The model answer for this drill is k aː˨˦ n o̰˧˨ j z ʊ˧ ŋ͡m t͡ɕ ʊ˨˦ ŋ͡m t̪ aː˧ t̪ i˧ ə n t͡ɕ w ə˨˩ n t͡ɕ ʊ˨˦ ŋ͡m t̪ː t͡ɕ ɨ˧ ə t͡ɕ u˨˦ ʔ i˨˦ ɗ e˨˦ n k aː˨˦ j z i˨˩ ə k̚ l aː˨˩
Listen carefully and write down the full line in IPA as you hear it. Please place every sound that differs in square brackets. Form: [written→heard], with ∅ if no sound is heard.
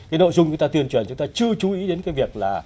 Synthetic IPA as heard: k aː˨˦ n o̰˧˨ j z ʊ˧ ŋ͡m t͡ɕ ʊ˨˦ ŋ͡m t̪ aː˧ t̪ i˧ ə n t͡ɕ w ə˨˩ n t͡ɕ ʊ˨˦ ŋ͡m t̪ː t͡ɕ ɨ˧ ə t͡ɕ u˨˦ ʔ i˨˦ ɗ e˨˦ n k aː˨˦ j [z→v] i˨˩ ə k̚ l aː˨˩

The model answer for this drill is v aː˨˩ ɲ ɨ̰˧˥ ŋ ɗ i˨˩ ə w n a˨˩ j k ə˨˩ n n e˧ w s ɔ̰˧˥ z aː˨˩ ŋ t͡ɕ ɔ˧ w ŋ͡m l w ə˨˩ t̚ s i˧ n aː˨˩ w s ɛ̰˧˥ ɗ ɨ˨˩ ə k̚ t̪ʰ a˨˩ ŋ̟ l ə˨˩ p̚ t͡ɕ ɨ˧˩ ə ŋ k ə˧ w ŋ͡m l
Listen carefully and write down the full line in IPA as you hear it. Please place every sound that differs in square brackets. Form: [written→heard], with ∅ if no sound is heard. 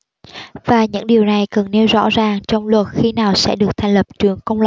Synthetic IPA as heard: v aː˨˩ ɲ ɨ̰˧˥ ŋ ɗ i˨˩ ə w n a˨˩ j k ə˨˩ n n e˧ w [s→z] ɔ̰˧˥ z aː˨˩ ŋ t͡ɕ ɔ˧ w ŋ͡m l w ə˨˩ t̚ [s→x] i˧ n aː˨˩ w s ɛ̰˧˥ ɗ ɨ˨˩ ə k̚ t̪ʰ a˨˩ ŋ̟ l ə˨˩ p̚ t͡ɕ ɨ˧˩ ə ŋ k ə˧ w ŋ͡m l

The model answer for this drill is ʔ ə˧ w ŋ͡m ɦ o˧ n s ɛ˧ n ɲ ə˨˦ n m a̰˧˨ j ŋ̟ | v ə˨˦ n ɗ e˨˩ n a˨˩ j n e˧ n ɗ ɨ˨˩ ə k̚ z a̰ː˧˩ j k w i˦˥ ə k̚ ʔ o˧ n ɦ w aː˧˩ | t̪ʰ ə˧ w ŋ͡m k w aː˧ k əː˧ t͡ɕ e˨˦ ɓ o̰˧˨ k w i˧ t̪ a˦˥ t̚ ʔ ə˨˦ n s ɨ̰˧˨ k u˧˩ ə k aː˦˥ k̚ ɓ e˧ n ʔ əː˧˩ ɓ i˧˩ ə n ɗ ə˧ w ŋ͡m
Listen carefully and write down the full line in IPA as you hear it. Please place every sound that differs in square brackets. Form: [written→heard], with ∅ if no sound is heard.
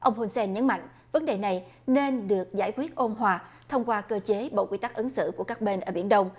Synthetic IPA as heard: ʔ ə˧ w ŋ͡m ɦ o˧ n s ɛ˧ n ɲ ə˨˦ n m a̰˧˨ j ŋ̟ | v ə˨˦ n ɗ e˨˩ n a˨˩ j n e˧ n ɗ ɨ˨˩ ə k̚ z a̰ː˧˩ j k w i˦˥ ə [k̚→t̚] ʔ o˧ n ɦ w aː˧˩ | t̪ʰ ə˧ w ŋ͡m k w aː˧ k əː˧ t͡ɕ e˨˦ ɓ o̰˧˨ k w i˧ t̪ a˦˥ [t̚→k̚] ʔ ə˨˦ n s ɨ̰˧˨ k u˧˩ ə k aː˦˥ k̚ ɓ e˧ n ʔ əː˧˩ ɓ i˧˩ ə n ɗ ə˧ w ŋ͡m

